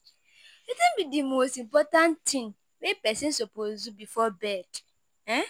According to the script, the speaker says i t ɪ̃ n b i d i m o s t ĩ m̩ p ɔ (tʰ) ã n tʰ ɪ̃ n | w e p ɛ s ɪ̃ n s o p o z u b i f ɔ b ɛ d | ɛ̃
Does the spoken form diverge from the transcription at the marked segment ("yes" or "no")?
yes